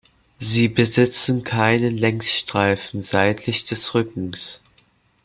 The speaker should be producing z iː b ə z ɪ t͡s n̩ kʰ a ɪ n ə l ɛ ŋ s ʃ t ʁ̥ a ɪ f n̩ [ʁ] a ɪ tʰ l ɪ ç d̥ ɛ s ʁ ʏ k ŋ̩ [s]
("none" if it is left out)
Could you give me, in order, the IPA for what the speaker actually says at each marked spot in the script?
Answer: z, s

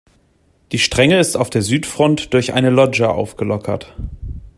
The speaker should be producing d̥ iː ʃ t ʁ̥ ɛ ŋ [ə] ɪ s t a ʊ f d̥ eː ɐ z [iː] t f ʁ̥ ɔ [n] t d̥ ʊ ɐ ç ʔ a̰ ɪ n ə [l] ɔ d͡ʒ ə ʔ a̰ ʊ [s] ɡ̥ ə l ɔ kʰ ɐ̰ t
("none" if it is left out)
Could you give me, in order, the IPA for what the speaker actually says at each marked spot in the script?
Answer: ə, yː, n, l, f

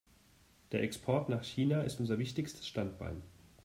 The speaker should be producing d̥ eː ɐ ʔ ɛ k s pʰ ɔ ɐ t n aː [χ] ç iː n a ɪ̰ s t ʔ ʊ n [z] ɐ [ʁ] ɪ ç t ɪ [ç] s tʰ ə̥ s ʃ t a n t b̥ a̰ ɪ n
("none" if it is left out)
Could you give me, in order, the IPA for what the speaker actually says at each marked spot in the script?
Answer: χ, z, v, ç

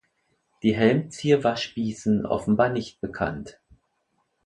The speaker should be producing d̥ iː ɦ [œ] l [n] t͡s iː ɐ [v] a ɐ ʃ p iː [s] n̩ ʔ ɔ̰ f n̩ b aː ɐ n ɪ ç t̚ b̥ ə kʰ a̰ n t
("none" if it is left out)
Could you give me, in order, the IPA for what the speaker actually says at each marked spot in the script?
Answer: ɛ, m, v, s

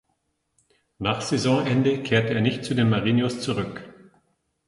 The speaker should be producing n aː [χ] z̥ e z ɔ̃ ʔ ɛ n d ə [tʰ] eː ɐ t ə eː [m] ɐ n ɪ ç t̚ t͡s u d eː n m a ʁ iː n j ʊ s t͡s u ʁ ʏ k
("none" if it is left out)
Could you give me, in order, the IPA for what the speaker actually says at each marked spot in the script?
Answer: χ, kʰ, none

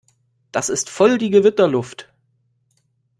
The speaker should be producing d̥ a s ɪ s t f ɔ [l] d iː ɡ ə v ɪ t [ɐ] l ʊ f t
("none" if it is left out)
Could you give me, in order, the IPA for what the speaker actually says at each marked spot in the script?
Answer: l, ɐ

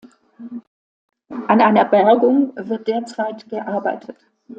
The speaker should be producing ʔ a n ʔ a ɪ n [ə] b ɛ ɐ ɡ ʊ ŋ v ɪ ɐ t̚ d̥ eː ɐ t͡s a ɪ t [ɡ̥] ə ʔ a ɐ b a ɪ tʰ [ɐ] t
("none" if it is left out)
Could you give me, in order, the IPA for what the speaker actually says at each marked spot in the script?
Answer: ɐ, ɡ̥, ə

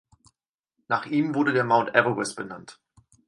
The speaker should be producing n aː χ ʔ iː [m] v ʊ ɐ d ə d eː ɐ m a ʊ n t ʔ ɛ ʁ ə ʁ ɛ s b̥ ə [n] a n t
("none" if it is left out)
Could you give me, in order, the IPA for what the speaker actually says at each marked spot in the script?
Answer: m, n

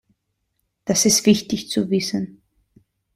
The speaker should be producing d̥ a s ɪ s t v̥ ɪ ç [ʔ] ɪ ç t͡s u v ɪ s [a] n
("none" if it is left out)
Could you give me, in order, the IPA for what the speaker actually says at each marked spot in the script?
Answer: t, ə

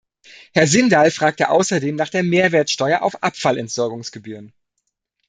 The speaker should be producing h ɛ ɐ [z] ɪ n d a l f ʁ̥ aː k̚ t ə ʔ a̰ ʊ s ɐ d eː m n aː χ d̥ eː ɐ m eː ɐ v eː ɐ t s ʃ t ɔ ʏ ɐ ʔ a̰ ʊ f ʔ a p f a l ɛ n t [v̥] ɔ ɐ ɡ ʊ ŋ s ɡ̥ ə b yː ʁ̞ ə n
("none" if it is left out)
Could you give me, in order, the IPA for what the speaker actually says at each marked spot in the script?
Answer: z, z̥

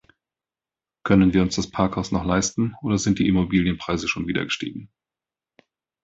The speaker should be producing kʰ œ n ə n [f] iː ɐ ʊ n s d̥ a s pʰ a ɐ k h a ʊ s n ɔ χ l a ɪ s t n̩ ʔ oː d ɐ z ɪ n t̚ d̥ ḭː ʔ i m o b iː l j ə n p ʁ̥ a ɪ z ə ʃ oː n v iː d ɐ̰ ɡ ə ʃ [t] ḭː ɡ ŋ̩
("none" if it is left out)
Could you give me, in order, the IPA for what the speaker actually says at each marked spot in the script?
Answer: v, t

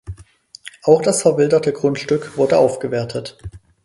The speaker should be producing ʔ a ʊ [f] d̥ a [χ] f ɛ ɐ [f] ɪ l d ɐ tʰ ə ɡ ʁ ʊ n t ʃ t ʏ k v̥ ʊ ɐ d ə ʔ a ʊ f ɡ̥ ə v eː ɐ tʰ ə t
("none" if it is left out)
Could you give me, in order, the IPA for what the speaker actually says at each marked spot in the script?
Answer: x, s, v

